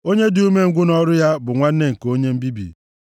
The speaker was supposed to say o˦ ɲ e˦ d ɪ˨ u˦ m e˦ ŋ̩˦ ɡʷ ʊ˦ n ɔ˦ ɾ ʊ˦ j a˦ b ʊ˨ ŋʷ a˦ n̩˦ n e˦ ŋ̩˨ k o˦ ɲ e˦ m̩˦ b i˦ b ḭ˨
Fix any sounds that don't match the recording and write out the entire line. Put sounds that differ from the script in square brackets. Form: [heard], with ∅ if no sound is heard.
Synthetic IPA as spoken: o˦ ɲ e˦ d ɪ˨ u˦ m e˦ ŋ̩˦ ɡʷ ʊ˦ n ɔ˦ ɾ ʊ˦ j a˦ b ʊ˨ ŋʷ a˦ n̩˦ n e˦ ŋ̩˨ k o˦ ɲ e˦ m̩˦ b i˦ b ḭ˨

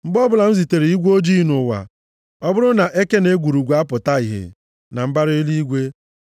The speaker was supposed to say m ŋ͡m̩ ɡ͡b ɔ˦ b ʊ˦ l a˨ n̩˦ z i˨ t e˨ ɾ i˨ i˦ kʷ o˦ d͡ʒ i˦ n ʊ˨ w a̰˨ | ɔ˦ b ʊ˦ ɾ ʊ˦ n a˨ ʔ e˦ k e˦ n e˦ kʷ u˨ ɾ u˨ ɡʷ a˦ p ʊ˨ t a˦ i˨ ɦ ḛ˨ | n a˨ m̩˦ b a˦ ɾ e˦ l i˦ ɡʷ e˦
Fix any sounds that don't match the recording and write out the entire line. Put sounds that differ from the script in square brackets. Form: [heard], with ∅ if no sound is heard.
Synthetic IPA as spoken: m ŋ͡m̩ ɡ͡b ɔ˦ b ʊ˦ l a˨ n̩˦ z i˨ t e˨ ɾ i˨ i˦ [ɡʷ] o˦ d͡ʒ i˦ n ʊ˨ w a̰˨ | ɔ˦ b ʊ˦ ɾ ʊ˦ n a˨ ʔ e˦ k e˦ n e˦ [ɡʷ] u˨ ɾ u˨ ɡʷ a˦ p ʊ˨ t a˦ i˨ ɦ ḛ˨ | n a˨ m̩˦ b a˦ ɾ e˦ l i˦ ɡʷ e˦

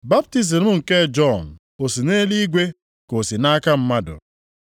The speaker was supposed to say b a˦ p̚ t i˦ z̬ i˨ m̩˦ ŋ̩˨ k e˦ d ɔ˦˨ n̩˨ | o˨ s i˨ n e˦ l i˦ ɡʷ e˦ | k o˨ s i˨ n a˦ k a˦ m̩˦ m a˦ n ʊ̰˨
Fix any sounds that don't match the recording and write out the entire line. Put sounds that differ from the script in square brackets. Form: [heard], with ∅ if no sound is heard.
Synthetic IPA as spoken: b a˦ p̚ t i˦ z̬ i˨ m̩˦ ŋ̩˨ k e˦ [d͡ʒ] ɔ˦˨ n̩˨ | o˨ s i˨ n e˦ l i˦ ɡʷ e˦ | k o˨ s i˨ n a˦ k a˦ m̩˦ m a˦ [d] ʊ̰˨

